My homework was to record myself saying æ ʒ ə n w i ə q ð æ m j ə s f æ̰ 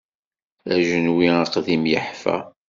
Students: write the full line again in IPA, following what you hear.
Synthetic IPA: æ ʒ ə n w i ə q ð i m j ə ħ f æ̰